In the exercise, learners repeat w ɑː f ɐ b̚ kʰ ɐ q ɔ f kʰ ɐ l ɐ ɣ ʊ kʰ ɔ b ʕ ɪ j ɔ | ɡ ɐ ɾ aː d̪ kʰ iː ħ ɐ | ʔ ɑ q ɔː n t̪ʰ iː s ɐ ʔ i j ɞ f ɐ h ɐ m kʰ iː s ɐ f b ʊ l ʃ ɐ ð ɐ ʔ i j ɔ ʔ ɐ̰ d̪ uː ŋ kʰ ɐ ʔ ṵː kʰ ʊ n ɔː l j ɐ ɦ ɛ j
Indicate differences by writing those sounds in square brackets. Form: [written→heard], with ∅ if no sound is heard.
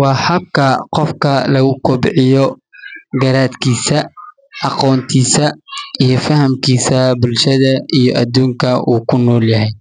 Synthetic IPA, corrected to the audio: w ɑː [f→h] ɐ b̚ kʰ ɐ q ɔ f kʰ ɐ l ɐ ɣ ʊ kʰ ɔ b ʕ ɪ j ɔ | ɡ ɐ ɾ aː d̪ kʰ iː [ħ→s] ɐ | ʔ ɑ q ɔː n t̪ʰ iː s ɐ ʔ i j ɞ f ɐ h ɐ m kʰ iː s ɐ [f→∅] b ʊ l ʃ ɐ ð ɐ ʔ i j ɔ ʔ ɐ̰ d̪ uː ŋ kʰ ɐ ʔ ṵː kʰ ʊ n ɔː l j ɐ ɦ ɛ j